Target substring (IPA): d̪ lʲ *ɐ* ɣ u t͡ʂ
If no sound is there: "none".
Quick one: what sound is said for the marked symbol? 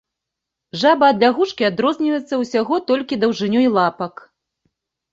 a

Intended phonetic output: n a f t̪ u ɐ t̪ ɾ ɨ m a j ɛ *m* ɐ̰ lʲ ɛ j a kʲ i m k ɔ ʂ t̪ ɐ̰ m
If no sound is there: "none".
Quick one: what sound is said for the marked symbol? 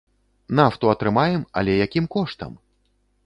m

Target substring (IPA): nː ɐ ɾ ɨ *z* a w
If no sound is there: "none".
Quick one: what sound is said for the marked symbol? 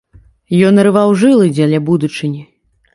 v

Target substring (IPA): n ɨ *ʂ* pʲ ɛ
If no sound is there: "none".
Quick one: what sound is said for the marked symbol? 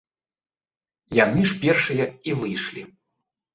ʂ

